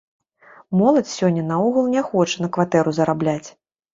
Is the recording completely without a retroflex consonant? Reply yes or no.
no